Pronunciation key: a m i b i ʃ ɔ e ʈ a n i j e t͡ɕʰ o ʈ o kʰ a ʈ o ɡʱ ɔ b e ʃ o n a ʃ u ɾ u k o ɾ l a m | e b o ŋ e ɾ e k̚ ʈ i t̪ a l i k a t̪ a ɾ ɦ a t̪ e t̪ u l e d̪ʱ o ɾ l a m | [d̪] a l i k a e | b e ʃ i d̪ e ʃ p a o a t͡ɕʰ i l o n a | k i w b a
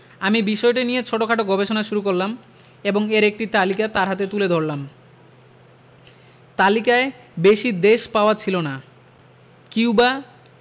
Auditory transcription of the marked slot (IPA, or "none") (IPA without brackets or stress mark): t̪